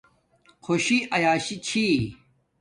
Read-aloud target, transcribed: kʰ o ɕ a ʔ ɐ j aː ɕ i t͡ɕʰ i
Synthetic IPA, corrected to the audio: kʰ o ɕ i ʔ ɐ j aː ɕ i t͡ɕʰ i

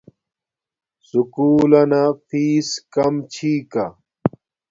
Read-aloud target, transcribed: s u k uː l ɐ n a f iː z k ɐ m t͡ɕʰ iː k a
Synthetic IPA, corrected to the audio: s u k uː l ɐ n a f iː s k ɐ m t͡ɕʰ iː k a

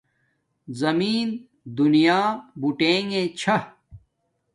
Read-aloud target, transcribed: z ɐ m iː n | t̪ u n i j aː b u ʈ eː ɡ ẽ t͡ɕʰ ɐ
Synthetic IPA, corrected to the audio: z ɐ m iː n | d̪ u n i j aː b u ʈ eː ŋ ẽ t͡ɕʰ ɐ

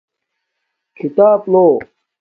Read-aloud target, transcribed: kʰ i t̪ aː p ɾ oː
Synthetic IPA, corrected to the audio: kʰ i t̪ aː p l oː

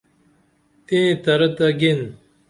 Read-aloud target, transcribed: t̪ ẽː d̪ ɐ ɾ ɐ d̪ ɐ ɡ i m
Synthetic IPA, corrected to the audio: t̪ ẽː t̪ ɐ ɾ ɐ t̪ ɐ ɡ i n

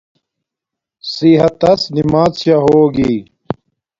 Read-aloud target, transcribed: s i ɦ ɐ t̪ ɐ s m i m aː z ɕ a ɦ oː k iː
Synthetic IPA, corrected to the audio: s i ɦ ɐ t̪ ɐ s n i m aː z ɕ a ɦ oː ɡ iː

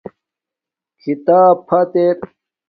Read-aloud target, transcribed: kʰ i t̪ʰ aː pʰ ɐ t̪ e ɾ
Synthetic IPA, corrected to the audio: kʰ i t̪ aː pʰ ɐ t̪ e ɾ

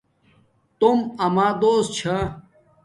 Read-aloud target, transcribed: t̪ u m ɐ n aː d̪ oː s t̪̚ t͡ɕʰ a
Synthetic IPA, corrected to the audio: t̪ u m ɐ m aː d̪ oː s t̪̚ t͡ɕʰ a

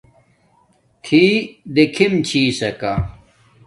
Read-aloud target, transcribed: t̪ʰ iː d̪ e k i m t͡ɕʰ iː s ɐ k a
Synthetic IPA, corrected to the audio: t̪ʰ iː d̪ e kʰ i m t͡ɕʰ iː s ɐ k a

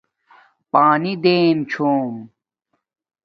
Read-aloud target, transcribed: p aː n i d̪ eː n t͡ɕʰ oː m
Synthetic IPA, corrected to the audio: p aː n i d̪ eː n t͡ɕʰ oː m

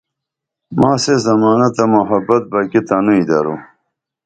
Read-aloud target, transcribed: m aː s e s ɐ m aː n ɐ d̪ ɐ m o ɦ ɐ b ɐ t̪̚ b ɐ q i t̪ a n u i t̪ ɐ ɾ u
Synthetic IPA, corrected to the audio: m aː s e z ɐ m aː n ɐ t̪ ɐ m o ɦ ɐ b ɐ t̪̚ b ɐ k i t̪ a n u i d̪ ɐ ɾ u

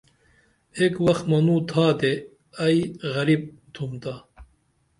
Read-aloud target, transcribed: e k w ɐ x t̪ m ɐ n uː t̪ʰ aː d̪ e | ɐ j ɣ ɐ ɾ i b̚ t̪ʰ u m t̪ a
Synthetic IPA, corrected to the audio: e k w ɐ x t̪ m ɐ n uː t̪ʰ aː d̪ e | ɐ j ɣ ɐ ɾ i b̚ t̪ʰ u m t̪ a

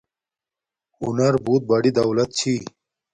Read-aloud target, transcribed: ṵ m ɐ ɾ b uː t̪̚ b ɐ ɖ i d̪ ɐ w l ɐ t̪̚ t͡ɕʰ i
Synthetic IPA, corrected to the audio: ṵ n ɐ ɾ b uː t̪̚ b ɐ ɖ i d̪ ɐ w l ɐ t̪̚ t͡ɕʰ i

